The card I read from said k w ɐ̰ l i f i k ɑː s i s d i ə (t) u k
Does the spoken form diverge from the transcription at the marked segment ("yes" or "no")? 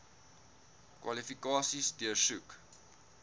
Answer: yes